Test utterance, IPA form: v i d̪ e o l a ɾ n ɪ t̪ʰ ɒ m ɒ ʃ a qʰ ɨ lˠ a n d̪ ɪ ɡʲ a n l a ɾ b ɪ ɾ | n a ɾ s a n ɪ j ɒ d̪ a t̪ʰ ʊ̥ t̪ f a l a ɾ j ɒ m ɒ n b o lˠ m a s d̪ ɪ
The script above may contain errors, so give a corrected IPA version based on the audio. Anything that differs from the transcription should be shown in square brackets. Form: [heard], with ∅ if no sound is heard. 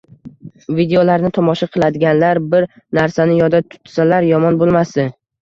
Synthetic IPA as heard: v i d̪ e o l a ɾ n ɪ t̪ʰ ɒ m ɒ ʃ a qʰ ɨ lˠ a [∅] d̪ ɪ ɡʲ a n l a ɾ b ɪ ɾ | n a ɾ s a n ɪ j ɒ d̪ a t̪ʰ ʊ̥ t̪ [s] a l a ɾ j ɒ m ɒ n b o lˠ m a s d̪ ɪ